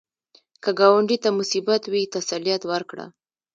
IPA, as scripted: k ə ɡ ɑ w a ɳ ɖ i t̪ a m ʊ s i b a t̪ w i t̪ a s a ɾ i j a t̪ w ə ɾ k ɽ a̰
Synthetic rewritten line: k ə ɡ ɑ w a ɳ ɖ i t̪ a m ʊ s i b a t̪ w i t̪ a s a l i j a t̪ w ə ɾ k ɽ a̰